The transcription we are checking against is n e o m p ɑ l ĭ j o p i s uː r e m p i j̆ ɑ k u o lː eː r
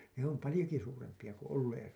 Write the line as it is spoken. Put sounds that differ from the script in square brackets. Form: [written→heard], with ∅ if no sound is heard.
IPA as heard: n e o m p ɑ l ĭ j o [p→k] i s uː r e m p i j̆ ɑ k u o lː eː r